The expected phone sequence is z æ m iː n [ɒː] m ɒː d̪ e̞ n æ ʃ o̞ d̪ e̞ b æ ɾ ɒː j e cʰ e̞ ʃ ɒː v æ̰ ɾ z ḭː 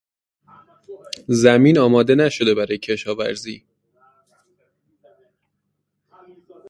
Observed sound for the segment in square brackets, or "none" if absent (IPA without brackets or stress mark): ɒː